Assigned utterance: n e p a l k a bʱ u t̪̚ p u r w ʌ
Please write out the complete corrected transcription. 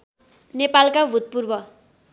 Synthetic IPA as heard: n e p a l k a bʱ u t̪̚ p u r b ʌ